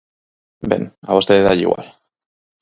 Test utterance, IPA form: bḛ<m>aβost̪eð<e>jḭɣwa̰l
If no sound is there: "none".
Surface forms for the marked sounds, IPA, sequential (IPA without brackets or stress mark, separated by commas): n, a